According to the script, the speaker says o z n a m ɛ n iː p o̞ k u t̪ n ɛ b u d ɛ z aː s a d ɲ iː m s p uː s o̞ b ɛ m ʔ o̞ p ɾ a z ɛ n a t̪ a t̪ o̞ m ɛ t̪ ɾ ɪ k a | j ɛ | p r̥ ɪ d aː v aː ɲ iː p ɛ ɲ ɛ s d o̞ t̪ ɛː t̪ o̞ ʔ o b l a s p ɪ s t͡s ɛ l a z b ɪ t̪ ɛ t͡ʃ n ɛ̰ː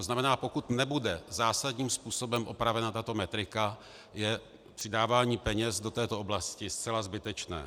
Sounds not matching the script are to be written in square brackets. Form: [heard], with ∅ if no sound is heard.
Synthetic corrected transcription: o z n a m ɛ n [aː] p o̞ k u t̪ n ɛ b u d ɛ z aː s a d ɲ iː m s p uː s o̞ b ɛ m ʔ o̞ p ɾ a [v] ɛ n a t̪ a t̪ o̞ m ɛ t̪ ɾ ɪ k a | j ɛ | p r̥ ɪ d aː v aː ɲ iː p ɛ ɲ ɛ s d o̞ t̪ ɛː t̪ o̞ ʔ o b l a s [c] ɪ s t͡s ɛ l a z b ɪ t̪ ɛ t͡ʃ n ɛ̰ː